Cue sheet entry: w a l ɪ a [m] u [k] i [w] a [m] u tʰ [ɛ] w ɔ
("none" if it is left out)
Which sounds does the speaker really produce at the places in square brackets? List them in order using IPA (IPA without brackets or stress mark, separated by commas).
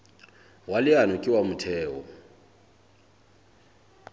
n, kʼ, w, m, ɛː